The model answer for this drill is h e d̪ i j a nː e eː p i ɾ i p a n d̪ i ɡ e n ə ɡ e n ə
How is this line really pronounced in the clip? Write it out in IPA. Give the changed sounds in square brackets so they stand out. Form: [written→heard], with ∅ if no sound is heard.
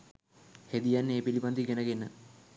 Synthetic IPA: h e d̪ i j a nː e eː p i [ɾ→l] i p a n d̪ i ɡ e n ə ɡ e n ə